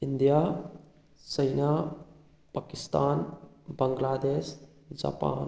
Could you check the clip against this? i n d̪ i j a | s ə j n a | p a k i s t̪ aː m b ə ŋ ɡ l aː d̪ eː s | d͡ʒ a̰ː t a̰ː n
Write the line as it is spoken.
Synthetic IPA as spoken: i n d̪ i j a | s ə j n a | p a k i s t̪ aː n b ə ŋ ɡ l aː d̪ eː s | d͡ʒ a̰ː p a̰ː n